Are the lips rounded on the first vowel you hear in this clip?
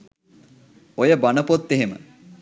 yes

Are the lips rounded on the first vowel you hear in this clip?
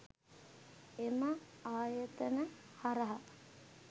no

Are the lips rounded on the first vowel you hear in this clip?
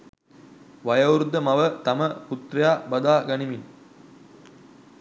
no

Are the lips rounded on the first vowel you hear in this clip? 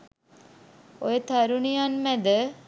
yes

